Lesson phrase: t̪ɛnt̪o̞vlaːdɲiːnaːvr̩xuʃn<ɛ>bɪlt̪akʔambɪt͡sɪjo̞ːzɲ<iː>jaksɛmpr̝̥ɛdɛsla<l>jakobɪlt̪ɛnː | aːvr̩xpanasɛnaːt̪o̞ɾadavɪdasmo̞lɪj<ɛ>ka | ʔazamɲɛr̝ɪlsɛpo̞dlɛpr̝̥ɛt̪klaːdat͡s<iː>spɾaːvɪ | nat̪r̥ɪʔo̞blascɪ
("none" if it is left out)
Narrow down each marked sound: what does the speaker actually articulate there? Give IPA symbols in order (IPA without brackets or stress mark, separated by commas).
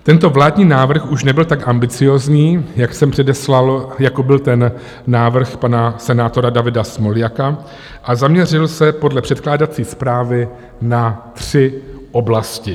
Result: ɛ, iː, l, a, iː